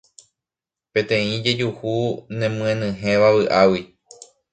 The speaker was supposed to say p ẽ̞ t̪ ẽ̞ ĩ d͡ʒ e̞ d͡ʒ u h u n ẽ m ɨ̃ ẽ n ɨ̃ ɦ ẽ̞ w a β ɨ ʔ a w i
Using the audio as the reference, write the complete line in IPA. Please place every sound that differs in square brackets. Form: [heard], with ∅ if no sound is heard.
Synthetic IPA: p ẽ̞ t̪ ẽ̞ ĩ d͡ʒ e̞ d͡ʒ u h u n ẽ m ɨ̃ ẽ n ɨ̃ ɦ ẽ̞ [ʋ] a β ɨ ʔ a w i